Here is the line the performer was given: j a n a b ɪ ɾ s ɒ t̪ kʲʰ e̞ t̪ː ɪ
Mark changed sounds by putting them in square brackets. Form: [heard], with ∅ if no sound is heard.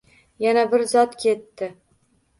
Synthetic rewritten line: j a n a b ɪ ɾ [z] ɒ t̪ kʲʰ e̞ t̪ː ɪ